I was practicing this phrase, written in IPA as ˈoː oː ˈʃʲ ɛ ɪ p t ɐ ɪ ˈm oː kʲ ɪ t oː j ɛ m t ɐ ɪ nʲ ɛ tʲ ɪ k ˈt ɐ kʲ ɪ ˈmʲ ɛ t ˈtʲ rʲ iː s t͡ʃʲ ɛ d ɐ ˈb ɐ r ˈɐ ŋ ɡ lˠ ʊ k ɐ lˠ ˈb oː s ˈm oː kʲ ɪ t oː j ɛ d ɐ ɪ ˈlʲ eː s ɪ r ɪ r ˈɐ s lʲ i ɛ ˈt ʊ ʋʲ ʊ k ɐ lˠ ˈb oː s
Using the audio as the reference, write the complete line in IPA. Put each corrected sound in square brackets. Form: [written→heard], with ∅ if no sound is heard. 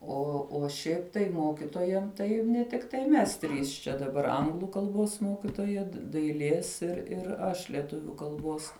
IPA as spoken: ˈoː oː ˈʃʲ ɛ ɪ p t ɐ ɪ ˈm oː kʲ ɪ t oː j ɛ m t ɐ ɪ nʲ ɛ tʲ ɪ k ˈt ɐ [kʲ→∅] ɪ ˈmʲ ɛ [t→s] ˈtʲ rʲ iː s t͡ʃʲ ɛ d ɐ ˈb ɐ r ˈɐ ŋ ɡ lˠ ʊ k ɐ lˠ ˈb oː s ˈm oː kʲ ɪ t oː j ɛ d ɐ ɪ ˈlʲ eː s ɪ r ɪ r ˈɐ [s→ʃ] lʲ i ɛ ˈt ʊ ʋʲ ʊ k ɐ lˠ ˈb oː s